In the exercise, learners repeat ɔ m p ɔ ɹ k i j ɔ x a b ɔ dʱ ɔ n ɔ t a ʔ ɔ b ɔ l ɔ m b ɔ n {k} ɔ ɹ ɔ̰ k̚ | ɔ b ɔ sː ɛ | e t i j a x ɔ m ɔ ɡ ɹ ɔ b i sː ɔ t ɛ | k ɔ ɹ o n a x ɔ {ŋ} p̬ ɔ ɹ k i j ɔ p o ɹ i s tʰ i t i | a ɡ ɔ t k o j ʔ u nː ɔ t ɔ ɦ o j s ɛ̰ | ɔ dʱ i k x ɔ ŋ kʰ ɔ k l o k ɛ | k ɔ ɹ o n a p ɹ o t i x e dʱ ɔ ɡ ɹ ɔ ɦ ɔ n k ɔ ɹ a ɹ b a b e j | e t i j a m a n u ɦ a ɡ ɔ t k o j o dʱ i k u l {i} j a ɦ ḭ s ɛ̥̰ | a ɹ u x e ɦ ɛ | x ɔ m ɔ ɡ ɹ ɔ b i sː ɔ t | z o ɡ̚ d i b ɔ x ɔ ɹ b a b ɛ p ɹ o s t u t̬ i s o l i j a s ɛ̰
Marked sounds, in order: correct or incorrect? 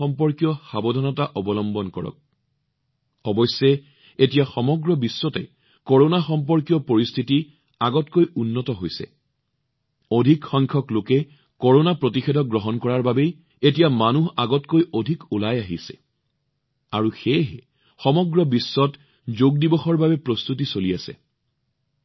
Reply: correct, incorrect: m, incorrect: a

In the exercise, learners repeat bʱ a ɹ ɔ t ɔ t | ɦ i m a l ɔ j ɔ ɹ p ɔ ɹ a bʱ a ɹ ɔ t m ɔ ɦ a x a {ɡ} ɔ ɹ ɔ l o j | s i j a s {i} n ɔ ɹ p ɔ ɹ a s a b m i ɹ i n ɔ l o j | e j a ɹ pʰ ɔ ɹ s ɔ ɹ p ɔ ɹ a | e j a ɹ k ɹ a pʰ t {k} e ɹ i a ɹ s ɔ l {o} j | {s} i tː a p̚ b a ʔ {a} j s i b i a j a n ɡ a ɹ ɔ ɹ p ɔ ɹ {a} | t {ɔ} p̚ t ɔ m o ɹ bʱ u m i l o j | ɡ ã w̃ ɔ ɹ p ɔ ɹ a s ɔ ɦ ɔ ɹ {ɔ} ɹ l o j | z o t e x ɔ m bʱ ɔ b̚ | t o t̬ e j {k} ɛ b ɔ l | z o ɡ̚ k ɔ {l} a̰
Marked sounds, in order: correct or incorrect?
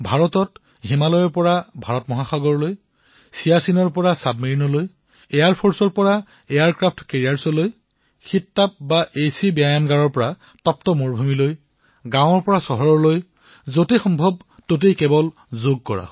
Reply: correct, correct, correct, correct, incorrect: x, incorrect: e, correct, correct, correct, correct, incorrect: ɹ

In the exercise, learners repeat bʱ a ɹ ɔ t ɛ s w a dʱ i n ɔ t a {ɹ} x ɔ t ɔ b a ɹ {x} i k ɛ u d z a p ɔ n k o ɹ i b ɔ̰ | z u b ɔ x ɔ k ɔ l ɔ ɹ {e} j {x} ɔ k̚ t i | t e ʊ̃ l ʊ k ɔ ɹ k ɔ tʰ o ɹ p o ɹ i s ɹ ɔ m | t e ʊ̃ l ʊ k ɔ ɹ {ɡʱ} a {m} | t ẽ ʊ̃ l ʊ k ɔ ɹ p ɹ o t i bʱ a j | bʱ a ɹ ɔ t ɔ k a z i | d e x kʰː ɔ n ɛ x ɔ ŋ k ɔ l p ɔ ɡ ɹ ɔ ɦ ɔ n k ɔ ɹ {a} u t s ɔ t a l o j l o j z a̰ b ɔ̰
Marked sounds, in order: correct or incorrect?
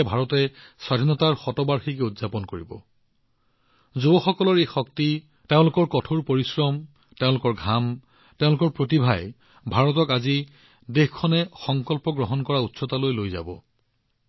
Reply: correct, correct, correct, correct, correct, correct, correct

